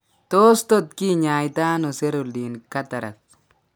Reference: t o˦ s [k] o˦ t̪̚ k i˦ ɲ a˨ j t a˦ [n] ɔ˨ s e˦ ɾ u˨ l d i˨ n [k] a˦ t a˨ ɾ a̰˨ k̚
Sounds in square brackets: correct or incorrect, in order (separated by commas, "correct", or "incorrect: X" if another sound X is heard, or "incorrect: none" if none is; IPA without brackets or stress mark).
incorrect: t, correct, correct